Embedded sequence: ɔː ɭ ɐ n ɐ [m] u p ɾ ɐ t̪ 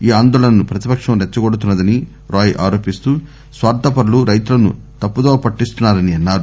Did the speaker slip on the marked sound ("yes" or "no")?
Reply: yes